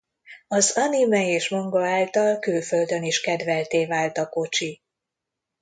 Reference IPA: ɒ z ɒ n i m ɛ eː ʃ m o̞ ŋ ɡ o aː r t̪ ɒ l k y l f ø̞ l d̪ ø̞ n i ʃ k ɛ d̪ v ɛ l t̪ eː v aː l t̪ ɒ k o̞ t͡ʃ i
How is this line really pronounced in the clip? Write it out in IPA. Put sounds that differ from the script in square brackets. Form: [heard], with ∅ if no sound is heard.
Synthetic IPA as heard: ɒ z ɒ n i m ɛ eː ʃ m o̞ ŋ ɡ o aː [l] t̪ ɒ l k y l f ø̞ l d̪ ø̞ n i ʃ k ɛ d̪ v ɛ l t̪ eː v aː l t̪ ɒ k o̞ t͡ʃ i

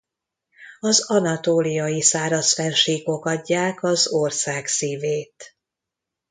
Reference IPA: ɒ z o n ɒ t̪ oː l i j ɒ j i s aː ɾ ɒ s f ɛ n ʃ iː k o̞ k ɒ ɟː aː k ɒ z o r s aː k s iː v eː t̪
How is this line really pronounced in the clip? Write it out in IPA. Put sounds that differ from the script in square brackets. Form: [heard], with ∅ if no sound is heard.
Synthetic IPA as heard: ɒ z [ɒ] n ɒ t̪ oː l i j ɒ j i s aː ɾ ɒ s f ɛ n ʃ iː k o̞ k ɒ ɟː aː k ɒ z o r s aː k s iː v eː t̪

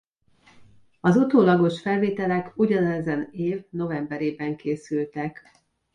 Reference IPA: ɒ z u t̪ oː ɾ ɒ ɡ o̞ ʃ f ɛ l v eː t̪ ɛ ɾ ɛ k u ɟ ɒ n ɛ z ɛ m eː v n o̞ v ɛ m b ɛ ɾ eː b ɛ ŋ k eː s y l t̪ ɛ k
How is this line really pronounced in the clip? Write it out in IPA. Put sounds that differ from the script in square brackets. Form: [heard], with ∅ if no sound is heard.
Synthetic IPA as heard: ɒ z u t̪ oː [l] ɒ ɡ o̞ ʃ f ɛ l v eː t̪ ɛ [l] ɛ k u ɟ ɒ n ɛ z ɛ [n] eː v n o̞ v ɛ m b ɛ ɾ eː b ɛ ŋ k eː s y l t̪ ɛ k

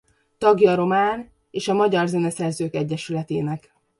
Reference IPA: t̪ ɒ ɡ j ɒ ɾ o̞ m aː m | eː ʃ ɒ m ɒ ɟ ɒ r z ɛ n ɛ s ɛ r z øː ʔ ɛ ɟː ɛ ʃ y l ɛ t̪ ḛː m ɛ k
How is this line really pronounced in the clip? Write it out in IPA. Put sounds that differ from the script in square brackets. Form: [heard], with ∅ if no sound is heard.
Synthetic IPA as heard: t̪ ɒ ɡ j ɒ ɾ o̞ m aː [n] | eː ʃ ɒ m ɒ ɟ ɒ r z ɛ n ɛ s ɛ r z øː [k] ɛ ɟː ɛ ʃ y l ɛ t̪ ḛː [n] ɛ k

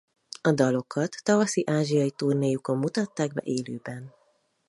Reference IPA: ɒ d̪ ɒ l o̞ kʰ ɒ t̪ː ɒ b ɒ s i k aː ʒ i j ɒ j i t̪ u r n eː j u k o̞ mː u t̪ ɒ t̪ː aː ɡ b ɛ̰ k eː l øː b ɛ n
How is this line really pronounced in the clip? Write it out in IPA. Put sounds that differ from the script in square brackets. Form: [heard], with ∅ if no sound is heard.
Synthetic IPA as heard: ɒ d̪ ɒ l o̞ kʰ ɒ t̪ː ɒ [v] ɒ s i [ʔ] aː ʒ i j ɒ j i t̪ u r n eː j u k o̞ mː u t̪ ɒ t̪ː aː ɡ b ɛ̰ [ʔ] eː l øː b ɛ n

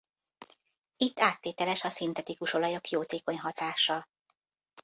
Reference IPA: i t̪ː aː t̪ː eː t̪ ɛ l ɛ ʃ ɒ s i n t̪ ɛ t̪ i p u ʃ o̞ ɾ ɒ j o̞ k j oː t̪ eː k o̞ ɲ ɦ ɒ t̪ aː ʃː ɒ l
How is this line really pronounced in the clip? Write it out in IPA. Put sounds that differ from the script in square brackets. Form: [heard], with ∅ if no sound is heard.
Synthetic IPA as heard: i t̪ː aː t̪ː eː t̪ ɛ l ɛ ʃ ɒ s i n t̪ ɛ t̪ i [k] u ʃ o̞ [l] ɒ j o̞ k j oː t̪ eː k o̞ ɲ ɦ ɒ t̪ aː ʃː ɒ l

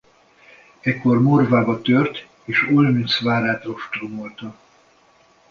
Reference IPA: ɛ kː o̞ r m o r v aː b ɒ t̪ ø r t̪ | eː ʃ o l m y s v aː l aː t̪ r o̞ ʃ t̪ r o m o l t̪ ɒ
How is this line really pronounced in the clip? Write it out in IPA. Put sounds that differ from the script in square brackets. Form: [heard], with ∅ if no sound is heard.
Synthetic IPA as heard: ɛ kː o̞ r m o r v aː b ɒ t̪ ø r t̪ | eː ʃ o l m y s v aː [ɾ] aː t̪ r o̞ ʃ t̪ r o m o l t̪ ɒ

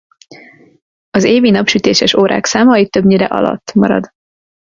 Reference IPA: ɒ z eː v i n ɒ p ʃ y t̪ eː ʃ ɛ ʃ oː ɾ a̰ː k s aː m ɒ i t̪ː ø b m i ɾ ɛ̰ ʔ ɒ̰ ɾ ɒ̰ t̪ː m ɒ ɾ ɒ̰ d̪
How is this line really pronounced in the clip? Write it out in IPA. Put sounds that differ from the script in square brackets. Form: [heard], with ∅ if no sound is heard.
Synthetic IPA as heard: ɒ z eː v i n ɒ p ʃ y t̪ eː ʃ ɛ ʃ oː ɾ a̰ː k s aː m ɒ i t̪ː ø b [ɲ] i ɾ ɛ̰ ʔ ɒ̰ [l] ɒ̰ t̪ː m ɒ ɾ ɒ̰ d̪

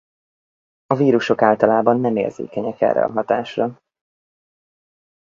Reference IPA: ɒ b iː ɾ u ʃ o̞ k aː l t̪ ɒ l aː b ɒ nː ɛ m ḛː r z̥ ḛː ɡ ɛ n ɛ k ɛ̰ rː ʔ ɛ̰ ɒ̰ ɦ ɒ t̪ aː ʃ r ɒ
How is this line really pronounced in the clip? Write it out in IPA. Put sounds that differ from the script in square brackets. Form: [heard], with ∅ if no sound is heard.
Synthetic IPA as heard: ɒ [v] iː ɾ u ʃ o̞ k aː l t̪ ɒ l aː b ɒ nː ɛ m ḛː r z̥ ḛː [k] ɛ [ɲ] ɛ k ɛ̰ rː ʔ ɛ̰ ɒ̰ ɦ ɒ t̪ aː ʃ r ɒ

